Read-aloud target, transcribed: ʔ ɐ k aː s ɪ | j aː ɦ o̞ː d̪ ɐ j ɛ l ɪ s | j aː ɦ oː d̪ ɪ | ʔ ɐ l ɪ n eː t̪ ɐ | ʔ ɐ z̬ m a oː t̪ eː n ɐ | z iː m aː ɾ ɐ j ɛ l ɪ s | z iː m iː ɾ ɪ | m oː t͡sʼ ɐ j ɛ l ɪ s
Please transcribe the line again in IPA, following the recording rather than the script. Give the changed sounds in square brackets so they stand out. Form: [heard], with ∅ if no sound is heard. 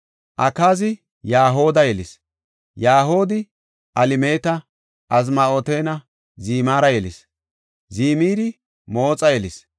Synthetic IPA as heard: ʔ ɐ k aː [z] ɪ | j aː ɦ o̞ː d̪ ɐ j ɛ l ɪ s | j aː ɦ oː d̪ ɪ | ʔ ɐ l ɪ [m] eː t̪ ɐ | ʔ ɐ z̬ m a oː t̪ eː n ɐ | z iː m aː ɾ ɐ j ɛ l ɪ s | z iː m iː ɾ ɪ | m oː t͡sʼ ɐ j ɛ l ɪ s